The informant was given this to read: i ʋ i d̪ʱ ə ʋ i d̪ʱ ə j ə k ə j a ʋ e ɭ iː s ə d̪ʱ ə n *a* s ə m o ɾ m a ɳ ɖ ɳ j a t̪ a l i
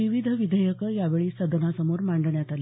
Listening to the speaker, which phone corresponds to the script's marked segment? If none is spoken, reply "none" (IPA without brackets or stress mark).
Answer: a